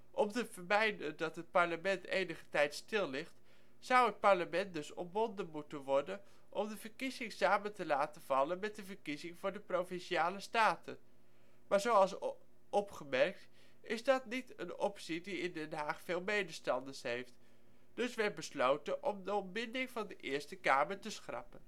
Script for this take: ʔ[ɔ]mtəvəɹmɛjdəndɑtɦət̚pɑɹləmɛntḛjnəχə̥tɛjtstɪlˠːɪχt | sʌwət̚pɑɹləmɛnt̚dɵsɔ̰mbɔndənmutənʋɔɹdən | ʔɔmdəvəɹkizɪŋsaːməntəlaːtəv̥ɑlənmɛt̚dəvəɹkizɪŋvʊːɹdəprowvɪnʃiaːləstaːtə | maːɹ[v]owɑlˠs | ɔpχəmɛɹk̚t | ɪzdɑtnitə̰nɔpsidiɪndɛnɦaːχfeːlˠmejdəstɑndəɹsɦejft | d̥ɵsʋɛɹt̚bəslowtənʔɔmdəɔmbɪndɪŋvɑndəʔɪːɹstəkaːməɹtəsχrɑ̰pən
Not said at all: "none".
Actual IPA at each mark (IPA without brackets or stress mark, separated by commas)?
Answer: ɔ, z